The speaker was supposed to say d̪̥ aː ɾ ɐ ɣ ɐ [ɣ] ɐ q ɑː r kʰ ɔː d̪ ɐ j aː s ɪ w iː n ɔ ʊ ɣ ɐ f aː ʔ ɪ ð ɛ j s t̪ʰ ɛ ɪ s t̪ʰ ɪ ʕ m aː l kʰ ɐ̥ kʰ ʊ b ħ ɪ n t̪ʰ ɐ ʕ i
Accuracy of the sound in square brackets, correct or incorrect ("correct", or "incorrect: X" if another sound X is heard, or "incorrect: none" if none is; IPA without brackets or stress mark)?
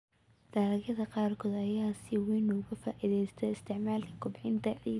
incorrect: ð